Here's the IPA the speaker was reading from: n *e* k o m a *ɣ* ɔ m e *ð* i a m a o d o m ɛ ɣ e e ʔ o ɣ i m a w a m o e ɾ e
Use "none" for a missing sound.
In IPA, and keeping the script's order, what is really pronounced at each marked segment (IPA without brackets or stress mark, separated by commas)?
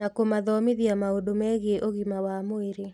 a, ð, ð